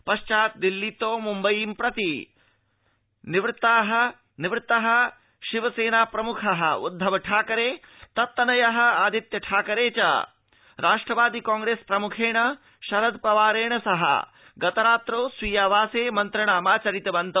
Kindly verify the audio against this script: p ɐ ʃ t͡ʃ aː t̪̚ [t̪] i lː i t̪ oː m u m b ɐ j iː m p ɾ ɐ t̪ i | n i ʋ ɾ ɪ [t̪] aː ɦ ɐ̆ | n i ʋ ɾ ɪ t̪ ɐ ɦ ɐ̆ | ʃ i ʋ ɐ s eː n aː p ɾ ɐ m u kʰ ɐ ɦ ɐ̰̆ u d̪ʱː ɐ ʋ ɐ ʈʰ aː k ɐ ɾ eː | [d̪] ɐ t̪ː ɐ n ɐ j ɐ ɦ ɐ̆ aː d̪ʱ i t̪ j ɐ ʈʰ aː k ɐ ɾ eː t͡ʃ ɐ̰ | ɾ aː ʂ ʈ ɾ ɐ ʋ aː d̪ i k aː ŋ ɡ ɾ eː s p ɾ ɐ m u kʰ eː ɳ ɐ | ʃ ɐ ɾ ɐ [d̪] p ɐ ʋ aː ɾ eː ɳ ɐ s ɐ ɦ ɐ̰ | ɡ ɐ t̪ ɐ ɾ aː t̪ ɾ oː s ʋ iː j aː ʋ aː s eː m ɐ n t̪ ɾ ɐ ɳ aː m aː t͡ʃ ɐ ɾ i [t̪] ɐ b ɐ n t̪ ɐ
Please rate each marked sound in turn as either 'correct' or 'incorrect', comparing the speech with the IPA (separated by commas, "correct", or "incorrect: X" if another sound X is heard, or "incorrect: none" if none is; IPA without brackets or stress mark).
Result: incorrect: d̪, correct, incorrect: t̪, correct, correct